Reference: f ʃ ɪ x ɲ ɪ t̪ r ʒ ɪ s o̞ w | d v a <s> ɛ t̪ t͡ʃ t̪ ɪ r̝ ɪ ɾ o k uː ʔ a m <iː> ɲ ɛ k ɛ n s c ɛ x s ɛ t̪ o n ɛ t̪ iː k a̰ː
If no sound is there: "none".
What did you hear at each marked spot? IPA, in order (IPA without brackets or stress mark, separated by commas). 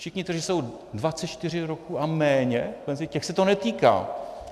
t͡s, ɛː